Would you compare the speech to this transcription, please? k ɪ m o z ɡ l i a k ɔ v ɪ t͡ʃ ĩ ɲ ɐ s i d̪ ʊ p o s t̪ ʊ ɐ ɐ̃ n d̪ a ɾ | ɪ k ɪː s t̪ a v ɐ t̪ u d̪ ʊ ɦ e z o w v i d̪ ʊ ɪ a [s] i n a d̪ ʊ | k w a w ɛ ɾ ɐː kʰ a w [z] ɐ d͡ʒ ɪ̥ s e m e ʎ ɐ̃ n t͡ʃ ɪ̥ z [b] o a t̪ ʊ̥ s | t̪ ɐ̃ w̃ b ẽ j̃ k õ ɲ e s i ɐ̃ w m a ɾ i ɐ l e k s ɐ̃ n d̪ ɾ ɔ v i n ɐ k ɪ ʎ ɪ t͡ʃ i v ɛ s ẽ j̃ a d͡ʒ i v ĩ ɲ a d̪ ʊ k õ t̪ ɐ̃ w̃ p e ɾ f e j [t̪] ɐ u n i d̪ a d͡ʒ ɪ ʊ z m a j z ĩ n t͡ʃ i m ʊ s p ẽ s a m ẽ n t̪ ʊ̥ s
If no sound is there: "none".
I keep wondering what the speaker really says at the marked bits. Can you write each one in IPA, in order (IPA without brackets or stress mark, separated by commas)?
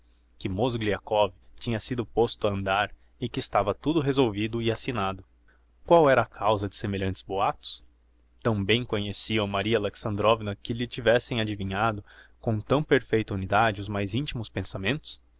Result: s, z, b, t̪